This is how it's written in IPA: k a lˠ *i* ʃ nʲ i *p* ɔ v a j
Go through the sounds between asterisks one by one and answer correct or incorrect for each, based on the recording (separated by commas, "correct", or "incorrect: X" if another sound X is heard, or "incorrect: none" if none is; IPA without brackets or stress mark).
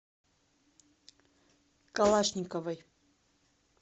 incorrect: a, incorrect: k